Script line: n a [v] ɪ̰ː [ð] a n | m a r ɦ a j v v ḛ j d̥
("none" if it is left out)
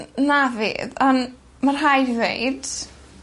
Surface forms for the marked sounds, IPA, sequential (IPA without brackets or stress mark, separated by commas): v, ð